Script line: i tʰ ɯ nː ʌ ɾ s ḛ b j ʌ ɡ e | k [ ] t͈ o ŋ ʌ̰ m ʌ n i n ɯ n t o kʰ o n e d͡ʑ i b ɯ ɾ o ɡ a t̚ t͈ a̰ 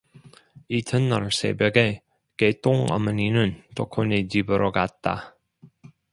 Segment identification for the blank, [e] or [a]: e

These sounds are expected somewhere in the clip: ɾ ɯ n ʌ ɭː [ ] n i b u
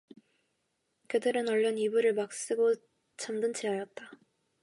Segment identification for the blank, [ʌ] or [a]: ʌ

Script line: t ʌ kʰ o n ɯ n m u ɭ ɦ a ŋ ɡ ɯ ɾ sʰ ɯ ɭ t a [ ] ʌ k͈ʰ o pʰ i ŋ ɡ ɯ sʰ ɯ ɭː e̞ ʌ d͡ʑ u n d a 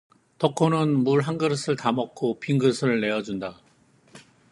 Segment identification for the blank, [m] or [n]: m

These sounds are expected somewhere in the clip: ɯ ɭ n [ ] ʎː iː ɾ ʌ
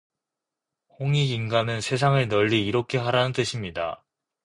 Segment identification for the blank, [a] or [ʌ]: ʌ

